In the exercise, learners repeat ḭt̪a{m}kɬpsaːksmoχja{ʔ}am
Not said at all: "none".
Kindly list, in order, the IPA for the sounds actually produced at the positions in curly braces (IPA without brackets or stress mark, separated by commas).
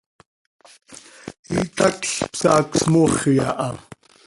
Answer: none, ʔ